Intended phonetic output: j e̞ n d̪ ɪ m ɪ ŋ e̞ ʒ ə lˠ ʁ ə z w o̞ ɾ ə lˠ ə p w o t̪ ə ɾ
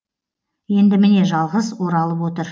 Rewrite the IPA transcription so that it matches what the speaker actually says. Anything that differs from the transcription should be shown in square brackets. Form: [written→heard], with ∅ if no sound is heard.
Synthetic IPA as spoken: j e̞ n d̪ ɪ m ɪ [ŋ→n] e̞ ʒ [ə→ɑ] lˠ ʁ ə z w o̞ ɾ [ə→ɑ] lˠ ə p w o t̪ ə ɾ